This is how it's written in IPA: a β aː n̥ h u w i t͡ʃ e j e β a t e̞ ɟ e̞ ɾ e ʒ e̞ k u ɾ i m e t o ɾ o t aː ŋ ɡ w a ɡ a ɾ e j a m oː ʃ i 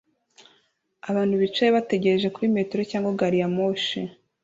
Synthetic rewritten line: a β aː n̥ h u β i t͡ʃ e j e β a t e̞ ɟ e̞ ɾ e ʒ e̞ k u ɾ i m e t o ɾ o c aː ŋ ɡ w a ɡ a ɾ i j a m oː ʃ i